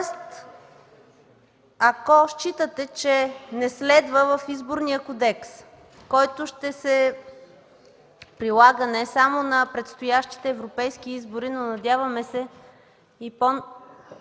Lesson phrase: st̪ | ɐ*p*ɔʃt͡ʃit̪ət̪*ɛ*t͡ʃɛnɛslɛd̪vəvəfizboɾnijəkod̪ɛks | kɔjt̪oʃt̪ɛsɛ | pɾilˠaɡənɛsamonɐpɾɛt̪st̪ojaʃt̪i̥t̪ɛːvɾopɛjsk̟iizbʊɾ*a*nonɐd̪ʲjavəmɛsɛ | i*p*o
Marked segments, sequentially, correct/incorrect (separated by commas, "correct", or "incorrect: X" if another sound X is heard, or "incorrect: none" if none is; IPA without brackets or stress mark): incorrect: k, correct, incorrect: i, correct